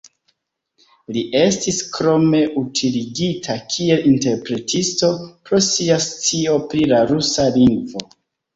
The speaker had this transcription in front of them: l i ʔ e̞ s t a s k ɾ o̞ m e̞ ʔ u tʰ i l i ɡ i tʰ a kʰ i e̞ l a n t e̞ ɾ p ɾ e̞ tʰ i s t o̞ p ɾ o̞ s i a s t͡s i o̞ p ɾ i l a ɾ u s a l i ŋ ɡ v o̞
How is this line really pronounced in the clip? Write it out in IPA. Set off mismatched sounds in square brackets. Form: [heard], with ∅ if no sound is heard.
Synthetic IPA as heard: l i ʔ e̞ s t [i] s k ɾ o̞ m e̞ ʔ u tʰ i l i ɡ i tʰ a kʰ i e̞ l [i] n t e̞ ɾ p ɾ e̞ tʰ i s t o̞ p ɾ o̞ s i a s t͡s i o̞ p ɾ i l a ɾ u s a l i ŋ ɡ v o̞